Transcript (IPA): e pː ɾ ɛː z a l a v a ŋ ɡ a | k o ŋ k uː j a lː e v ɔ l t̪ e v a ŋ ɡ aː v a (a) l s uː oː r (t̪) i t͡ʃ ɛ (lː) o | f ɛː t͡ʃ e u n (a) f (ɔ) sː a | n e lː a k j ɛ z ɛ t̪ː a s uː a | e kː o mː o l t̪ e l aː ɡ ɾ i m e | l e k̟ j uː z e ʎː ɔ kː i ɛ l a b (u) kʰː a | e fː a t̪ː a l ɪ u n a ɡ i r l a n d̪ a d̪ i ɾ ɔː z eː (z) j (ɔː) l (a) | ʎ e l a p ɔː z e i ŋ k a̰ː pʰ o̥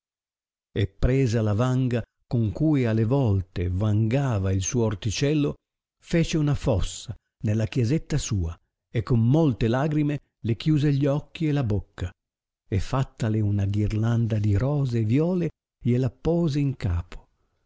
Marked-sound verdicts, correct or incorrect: incorrect: i, correct, correct, correct, correct, incorrect: o, incorrect: v, correct, incorrect: e

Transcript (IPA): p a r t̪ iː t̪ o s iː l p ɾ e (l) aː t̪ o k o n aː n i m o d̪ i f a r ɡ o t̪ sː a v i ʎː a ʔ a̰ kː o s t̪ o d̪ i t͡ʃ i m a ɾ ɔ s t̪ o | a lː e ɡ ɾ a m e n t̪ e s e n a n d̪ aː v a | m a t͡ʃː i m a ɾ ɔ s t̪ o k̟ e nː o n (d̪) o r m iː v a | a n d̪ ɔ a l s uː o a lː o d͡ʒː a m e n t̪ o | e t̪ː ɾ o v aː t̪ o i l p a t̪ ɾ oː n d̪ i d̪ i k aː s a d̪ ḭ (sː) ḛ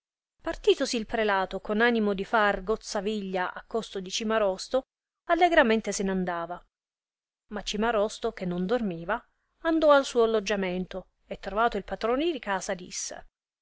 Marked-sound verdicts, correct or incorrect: correct, correct, correct

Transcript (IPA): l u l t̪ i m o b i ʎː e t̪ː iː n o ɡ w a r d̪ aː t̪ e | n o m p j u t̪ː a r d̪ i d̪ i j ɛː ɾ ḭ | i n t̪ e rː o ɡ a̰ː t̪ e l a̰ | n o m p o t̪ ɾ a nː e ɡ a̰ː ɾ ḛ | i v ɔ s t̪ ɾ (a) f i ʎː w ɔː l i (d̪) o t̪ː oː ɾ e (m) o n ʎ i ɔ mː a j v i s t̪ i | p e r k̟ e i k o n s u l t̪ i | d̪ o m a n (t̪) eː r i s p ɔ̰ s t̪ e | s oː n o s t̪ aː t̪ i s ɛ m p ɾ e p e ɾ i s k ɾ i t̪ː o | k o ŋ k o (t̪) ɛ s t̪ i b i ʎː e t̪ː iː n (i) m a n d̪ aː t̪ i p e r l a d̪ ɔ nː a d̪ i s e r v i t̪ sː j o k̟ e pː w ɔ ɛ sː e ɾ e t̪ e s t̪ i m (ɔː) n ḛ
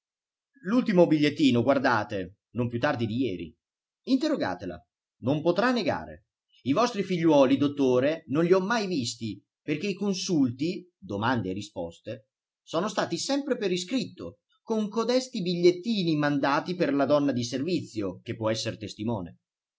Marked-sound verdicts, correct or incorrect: incorrect: i, correct, incorrect: n, incorrect: d̪, incorrect: d̪, correct, correct

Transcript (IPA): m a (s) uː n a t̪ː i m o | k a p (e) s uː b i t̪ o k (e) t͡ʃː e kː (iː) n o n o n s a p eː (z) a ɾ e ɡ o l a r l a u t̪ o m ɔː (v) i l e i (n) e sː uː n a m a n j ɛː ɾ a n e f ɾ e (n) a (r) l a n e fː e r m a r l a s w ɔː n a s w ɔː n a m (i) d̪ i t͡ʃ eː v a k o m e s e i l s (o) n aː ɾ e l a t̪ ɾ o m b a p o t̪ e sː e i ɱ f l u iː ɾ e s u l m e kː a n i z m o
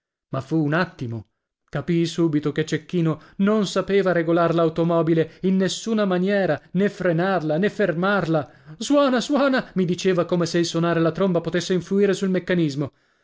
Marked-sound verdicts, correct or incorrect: incorrect: f, incorrect: i, correct, correct, incorrect: v, incorrect: b, incorrect: nː, correct, correct, correct, correct

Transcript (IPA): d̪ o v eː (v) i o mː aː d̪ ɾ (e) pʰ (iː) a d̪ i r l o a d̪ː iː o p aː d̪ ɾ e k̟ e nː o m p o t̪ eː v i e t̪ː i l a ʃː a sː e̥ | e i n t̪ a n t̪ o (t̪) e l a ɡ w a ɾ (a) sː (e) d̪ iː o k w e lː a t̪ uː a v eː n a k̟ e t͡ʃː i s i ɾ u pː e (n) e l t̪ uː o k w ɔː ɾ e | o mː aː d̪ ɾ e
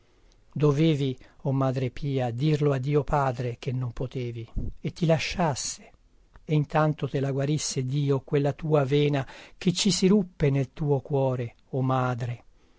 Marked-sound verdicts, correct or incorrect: correct, correct, correct, correct, incorrect: i, correct, correct

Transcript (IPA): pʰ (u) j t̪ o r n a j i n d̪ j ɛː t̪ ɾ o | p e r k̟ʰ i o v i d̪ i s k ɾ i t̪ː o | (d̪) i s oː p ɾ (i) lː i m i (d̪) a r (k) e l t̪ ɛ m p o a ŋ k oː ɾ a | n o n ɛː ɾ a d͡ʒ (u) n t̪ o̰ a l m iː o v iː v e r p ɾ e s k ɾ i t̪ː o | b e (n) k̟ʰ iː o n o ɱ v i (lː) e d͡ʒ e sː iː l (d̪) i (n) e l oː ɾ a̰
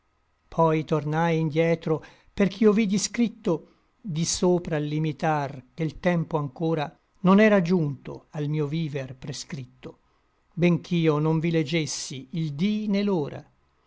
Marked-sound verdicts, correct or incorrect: incorrect: ɔ, correct, incorrect: a, incorrect: t̪, correct, correct, incorrect: ŋ, incorrect: l, correct, correct

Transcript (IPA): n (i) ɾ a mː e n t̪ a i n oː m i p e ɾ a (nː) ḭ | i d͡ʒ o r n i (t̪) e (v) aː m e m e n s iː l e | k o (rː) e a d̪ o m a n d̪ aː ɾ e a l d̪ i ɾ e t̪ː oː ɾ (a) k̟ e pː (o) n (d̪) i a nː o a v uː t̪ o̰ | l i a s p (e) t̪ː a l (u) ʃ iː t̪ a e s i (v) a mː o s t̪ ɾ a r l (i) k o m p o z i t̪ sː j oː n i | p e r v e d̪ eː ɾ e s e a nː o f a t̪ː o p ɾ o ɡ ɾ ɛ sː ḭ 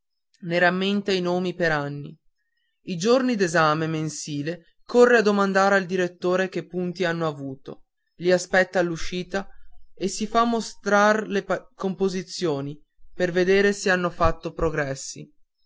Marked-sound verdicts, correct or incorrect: incorrect: e, correct, incorrect: d̪, incorrect: z, correct, incorrect: e, incorrect: u, incorrect: t̪, incorrect: ɛ, correct, incorrect: f, incorrect: e

